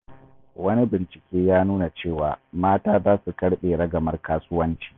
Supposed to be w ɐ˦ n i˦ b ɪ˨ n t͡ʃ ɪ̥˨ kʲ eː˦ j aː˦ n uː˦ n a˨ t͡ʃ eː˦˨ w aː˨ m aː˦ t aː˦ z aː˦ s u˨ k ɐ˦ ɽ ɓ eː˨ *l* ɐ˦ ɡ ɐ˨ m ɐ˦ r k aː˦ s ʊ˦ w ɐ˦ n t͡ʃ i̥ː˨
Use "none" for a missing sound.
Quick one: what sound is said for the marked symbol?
ɽ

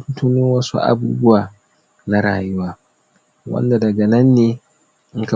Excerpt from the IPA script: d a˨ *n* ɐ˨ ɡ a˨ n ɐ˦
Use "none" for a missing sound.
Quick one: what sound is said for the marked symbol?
d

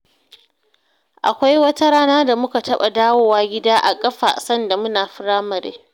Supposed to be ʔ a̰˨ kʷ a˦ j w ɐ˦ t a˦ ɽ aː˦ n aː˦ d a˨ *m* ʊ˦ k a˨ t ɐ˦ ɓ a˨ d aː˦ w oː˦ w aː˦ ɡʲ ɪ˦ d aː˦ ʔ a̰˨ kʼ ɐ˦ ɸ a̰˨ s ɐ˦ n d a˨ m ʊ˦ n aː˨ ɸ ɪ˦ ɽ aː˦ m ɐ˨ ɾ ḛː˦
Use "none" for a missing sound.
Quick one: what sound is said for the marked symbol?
m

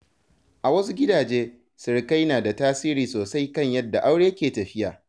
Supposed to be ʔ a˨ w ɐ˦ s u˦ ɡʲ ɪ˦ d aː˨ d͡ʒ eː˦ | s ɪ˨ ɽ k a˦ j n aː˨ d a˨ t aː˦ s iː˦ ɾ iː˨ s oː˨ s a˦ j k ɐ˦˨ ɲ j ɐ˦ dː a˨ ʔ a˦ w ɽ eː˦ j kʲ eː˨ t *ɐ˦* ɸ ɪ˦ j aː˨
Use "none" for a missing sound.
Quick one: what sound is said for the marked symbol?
ɐ˨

